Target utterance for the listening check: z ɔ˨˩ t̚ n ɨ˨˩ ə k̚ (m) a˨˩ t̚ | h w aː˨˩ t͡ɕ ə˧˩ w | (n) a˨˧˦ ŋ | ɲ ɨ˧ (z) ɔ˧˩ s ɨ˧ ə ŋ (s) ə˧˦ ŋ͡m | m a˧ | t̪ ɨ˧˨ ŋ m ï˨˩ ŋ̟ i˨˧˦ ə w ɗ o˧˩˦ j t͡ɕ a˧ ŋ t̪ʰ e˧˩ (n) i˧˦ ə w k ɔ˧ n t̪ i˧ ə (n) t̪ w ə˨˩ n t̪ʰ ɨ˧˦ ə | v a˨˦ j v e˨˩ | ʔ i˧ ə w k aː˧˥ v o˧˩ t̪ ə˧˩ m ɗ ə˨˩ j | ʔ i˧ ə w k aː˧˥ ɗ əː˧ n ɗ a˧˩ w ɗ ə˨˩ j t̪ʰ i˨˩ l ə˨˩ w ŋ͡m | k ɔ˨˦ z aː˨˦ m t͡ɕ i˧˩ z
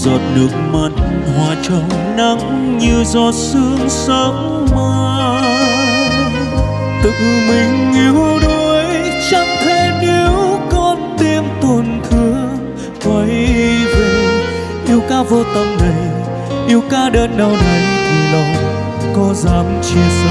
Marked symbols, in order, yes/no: yes, yes, yes, yes, yes, no

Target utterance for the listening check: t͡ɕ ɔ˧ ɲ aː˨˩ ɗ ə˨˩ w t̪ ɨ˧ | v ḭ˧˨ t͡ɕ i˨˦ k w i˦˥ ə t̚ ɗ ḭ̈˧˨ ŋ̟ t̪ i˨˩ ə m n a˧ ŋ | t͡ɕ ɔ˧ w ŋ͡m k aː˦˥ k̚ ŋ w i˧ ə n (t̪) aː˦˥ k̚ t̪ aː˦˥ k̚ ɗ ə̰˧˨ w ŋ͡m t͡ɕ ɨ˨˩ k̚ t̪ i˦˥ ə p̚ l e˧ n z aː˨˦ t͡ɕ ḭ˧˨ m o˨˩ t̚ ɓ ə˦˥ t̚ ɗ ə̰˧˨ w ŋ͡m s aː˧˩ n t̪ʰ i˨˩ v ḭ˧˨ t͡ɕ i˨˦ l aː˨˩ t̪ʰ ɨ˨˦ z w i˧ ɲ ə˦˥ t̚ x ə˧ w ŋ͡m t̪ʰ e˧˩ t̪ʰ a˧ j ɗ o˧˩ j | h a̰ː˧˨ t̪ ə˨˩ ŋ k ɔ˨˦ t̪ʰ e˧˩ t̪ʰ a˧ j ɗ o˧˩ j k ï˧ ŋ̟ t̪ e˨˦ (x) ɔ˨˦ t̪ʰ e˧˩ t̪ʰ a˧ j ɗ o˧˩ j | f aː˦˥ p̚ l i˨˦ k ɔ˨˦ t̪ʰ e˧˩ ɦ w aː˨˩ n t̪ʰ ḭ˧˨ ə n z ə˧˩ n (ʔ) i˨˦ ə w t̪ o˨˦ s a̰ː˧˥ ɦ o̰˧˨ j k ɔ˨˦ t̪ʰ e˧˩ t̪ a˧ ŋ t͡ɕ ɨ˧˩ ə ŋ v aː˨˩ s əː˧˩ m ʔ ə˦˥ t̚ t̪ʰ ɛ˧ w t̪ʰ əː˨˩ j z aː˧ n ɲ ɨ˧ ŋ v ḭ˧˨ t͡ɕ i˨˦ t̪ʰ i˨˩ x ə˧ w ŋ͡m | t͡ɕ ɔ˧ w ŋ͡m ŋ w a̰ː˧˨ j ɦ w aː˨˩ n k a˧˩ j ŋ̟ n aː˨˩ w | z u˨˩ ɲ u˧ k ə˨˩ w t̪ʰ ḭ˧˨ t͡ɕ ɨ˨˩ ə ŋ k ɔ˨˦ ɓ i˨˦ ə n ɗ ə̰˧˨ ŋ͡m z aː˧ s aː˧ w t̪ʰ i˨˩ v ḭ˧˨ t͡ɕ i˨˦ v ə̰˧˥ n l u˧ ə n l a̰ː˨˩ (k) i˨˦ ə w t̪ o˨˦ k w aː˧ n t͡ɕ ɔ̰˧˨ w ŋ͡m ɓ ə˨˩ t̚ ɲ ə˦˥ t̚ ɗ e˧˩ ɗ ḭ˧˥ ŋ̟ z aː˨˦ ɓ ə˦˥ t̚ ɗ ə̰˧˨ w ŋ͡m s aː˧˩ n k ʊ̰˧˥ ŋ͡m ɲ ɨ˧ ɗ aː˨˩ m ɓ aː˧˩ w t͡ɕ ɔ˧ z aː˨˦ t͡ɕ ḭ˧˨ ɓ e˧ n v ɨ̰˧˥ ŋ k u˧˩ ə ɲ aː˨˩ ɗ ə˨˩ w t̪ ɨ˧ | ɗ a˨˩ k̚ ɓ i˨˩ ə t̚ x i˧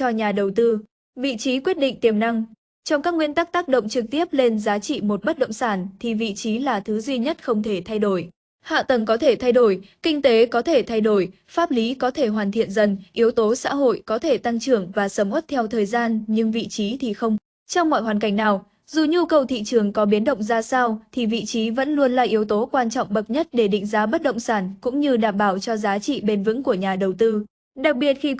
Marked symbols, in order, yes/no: yes, no, yes, no

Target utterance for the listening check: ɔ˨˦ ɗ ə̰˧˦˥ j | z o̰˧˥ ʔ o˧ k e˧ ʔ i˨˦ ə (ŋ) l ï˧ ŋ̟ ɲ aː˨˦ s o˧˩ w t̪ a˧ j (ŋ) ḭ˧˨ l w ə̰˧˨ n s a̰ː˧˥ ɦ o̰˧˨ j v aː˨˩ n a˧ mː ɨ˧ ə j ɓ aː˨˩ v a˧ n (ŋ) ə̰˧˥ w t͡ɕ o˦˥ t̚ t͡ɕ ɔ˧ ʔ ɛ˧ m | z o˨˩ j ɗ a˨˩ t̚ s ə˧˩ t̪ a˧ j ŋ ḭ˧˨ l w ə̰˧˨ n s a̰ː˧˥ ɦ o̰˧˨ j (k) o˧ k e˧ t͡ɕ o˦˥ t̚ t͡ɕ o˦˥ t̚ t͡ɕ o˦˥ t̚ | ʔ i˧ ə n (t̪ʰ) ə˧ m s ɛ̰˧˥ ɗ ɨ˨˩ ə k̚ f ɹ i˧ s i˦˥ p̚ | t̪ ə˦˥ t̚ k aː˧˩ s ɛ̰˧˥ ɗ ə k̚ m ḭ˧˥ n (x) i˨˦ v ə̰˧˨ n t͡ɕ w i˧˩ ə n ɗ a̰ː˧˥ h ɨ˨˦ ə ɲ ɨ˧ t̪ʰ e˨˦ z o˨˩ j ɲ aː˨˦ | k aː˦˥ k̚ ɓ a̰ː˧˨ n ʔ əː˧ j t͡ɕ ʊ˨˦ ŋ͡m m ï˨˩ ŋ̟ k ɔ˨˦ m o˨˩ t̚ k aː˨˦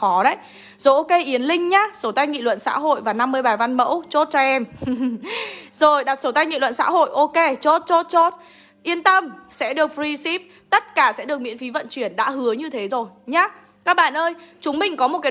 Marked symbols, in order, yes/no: no, yes, no, no, no, no

